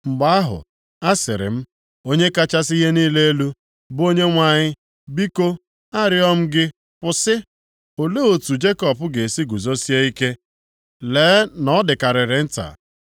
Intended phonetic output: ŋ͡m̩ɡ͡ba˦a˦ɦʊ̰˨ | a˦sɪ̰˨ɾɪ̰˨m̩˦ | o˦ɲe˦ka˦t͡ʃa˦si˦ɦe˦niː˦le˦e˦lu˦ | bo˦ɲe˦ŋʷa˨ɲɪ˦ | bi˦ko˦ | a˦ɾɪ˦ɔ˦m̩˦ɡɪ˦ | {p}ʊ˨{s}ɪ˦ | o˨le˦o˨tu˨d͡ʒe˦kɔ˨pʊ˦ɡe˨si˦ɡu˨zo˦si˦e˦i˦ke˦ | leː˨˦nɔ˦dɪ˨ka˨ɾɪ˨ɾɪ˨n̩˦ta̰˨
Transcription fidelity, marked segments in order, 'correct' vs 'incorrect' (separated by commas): correct, correct